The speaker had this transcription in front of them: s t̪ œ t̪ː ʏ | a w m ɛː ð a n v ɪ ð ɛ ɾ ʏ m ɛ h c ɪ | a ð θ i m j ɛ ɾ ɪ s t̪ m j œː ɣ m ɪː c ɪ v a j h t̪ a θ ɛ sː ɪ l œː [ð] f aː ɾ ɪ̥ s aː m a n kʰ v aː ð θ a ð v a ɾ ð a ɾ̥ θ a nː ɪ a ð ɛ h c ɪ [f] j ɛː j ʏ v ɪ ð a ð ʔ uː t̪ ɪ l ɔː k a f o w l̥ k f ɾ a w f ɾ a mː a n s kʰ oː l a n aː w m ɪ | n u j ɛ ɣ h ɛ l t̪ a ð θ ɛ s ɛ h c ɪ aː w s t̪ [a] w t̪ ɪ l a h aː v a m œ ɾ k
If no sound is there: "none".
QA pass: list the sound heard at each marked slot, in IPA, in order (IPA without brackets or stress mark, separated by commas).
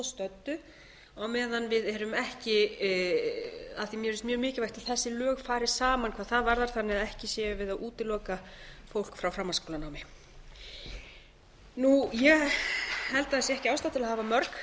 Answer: ɣ, s, a